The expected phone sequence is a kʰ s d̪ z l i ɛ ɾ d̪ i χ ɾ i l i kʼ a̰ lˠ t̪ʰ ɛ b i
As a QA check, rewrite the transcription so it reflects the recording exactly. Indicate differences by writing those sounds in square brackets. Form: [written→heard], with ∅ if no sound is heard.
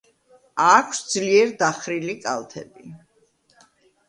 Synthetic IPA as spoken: a kʰ s d̪ z l i ɛ ɾ d̪ [i→a] χ ɾ i l i kʼ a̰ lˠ t̪ʰ ɛ b i